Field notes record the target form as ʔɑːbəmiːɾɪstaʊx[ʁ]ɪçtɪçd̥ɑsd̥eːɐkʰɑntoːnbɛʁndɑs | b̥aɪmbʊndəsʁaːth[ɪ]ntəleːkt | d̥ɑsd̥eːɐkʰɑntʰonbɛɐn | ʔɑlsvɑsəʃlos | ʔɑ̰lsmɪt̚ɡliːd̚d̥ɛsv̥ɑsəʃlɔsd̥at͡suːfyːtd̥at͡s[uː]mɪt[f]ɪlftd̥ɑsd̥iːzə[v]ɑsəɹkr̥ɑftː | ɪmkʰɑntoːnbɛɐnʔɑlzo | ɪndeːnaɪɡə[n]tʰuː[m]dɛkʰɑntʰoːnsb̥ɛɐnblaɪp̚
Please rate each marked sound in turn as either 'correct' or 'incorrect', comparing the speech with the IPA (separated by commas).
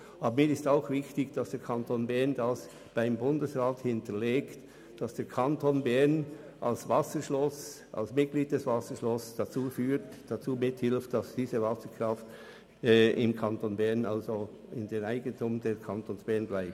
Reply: incorrect, correct, correct, incorrect, correct, correct, correct